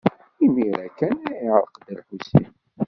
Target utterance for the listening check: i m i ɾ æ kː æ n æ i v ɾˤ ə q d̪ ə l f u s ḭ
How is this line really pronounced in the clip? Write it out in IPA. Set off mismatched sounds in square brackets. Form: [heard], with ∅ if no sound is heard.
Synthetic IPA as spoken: i m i ɾ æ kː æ n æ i [ʕ] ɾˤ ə q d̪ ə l [ħ] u s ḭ